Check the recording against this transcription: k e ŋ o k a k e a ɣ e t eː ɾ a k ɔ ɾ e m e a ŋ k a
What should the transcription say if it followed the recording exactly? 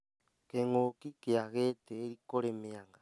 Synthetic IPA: k e ŋ o k i k e a ɣ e t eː ɾ i k o ɾ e m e a ŋ ɡ a